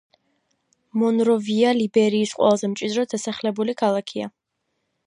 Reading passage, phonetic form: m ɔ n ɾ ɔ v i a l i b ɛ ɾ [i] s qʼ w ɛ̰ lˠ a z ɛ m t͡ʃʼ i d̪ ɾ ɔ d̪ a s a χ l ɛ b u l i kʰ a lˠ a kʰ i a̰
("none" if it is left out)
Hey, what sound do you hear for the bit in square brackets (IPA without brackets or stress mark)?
iː